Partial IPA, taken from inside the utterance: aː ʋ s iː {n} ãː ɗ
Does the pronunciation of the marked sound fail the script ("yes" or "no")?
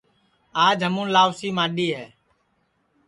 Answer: yes